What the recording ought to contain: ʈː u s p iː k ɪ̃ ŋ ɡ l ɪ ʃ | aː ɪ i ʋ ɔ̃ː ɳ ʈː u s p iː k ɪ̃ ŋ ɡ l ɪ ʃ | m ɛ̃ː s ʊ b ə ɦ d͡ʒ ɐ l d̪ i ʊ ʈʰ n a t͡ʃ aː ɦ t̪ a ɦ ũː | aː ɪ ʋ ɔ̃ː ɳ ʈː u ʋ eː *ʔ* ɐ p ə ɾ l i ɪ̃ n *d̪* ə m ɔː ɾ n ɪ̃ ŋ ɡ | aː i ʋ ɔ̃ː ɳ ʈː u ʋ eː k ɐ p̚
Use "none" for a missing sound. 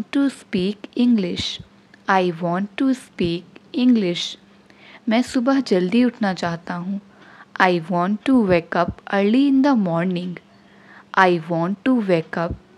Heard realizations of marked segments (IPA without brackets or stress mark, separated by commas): k, d̪